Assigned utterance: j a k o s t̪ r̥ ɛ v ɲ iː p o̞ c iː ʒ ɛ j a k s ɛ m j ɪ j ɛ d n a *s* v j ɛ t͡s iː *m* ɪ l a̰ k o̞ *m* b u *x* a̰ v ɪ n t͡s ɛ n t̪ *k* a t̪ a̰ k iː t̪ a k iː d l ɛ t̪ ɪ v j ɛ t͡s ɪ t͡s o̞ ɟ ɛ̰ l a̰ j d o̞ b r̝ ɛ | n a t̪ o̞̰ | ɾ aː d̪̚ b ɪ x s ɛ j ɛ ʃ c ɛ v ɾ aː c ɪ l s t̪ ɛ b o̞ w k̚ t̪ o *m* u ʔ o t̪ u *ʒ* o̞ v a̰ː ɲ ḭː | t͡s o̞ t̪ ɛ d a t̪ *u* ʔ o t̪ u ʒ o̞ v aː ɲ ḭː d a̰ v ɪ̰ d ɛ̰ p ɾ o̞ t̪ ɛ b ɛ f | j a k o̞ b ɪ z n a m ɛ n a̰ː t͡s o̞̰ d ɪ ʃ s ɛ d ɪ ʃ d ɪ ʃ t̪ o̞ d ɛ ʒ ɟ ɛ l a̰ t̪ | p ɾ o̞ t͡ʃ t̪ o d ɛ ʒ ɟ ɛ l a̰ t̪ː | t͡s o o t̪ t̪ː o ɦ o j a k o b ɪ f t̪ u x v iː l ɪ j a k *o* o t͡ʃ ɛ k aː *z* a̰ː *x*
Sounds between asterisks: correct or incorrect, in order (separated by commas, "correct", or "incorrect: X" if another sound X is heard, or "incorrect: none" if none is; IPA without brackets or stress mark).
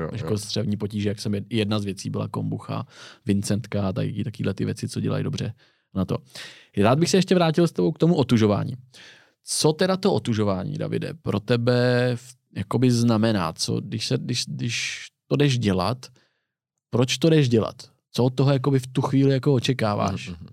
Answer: incorrect: z, incorrect: b, correct, correct, correct, correct, correct, incorrect: o, correct, incorrect: v, incorrect: ʃ